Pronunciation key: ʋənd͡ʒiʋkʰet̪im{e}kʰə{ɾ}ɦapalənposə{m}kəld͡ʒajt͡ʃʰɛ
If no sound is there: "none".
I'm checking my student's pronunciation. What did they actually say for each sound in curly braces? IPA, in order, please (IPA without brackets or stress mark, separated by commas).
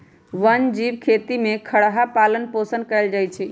e, ɽ, n